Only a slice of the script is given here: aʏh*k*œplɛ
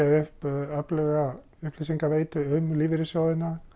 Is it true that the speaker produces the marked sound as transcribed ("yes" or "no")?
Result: no